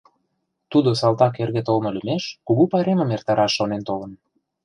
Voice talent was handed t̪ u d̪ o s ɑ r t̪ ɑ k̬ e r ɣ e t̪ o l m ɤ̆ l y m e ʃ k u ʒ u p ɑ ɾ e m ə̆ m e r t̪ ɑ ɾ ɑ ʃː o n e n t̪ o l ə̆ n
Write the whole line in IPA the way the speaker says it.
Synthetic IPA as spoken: t̪ u d̪ o s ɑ l t̪ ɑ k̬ e r ɣ e t̪ o l m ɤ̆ l y m e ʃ k u ɣ u p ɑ ɾ e m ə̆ m e r t̪ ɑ ɾ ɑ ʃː o n e n t̪ o l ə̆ n